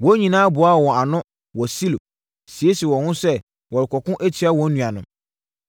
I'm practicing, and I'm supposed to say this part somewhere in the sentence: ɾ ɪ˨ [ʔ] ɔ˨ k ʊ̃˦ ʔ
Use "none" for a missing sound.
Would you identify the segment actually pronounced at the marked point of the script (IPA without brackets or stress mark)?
k